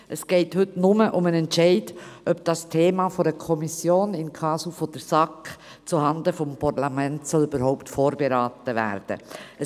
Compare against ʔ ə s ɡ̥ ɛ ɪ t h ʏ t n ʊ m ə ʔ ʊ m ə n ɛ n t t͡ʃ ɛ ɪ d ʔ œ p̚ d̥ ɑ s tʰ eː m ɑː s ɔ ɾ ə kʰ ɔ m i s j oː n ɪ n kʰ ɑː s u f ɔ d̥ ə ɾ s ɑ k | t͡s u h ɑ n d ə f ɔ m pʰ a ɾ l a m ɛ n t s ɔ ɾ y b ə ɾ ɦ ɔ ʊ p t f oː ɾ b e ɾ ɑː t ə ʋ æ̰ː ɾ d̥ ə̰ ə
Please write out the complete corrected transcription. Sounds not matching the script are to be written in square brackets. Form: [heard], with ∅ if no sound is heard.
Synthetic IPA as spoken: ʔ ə s ɡ̥ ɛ ɪ t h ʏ t n ʊ m ə ʔ ʊ m ə n ɛ n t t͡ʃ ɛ ɪ d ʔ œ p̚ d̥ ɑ s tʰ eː m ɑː [f] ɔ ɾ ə kʰ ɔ m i s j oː n ɪ n kʰ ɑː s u f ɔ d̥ ə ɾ s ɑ k | t͡s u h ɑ n d ə f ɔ m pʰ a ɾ l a m ɛ n t s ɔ [l] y b ə ɾ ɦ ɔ ʊ p t f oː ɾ b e ɾ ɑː t ə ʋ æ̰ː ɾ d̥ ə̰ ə